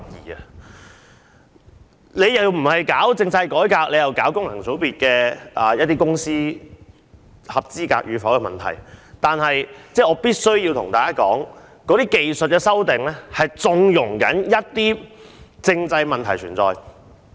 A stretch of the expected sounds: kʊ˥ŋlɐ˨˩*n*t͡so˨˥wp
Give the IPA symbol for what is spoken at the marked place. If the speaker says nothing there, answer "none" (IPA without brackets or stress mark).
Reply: ŋ